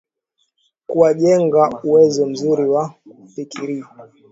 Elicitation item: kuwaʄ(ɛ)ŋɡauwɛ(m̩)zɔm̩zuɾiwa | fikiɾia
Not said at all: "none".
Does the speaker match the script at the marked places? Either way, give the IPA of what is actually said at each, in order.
ɛ, none

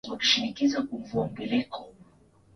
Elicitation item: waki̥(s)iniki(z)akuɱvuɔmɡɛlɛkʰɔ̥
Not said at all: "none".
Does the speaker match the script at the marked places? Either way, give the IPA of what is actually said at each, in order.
ʃ, z

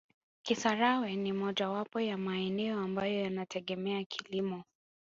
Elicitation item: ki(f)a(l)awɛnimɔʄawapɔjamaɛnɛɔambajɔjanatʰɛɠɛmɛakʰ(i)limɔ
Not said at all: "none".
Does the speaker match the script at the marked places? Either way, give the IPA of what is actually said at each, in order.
s, ɾ, i

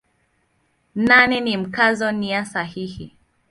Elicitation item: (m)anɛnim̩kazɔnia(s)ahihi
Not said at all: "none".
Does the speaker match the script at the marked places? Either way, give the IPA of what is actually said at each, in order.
n, s

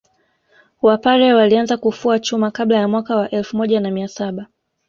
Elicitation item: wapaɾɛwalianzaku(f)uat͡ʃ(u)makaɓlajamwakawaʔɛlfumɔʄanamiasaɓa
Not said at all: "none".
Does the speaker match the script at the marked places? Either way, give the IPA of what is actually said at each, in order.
f, u

